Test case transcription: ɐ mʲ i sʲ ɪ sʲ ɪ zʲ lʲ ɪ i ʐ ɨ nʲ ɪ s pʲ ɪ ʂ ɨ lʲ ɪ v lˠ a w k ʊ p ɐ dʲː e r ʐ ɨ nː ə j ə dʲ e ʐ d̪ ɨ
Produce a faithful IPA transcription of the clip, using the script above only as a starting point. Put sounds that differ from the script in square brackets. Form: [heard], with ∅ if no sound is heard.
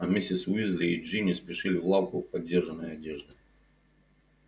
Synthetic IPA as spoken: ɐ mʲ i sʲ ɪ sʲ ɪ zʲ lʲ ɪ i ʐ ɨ nʲ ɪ s pʲ ɪ ʂ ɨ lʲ ɪ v lˠ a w k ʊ p ɐ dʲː e r ʐ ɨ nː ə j [ɐ] dʲ e ʐ d̪ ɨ